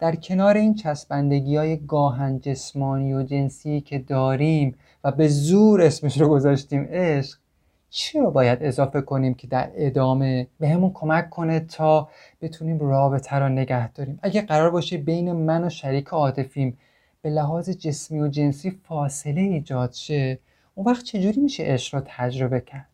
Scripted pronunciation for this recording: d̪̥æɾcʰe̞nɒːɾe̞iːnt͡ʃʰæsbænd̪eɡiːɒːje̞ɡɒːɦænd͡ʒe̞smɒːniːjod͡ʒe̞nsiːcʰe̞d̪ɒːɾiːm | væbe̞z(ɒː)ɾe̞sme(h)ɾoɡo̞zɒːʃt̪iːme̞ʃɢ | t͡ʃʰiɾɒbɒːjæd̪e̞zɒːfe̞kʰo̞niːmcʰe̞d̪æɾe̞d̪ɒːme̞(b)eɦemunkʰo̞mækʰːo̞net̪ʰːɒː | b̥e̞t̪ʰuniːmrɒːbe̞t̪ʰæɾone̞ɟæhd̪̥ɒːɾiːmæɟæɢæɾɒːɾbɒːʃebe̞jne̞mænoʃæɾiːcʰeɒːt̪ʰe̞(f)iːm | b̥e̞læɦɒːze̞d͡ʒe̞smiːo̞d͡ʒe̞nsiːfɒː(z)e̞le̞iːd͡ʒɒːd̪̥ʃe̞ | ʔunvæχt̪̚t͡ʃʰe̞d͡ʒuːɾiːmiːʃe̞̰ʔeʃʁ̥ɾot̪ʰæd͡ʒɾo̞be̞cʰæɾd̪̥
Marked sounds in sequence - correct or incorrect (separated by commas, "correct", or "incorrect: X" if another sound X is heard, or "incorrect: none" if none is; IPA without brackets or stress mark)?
incorrect: uː, incorrect: ʃ, correct, correct, incorrect: s